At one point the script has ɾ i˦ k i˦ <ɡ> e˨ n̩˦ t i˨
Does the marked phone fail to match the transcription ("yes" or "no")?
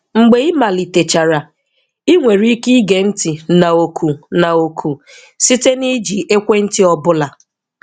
no